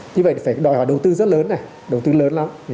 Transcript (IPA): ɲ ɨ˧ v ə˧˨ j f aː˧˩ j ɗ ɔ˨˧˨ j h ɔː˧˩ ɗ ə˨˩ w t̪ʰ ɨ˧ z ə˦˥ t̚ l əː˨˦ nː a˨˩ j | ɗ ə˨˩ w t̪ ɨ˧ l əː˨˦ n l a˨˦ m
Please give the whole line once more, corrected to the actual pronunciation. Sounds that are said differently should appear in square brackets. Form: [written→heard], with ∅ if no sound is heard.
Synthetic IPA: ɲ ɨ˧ v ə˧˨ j f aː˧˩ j ɗ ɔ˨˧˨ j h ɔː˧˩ ɗ ə˨˩ w [t̪ʰ→t̪] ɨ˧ z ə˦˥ t̚ l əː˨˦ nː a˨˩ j | ɗ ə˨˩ w t̪ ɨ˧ l əː˨˦ n l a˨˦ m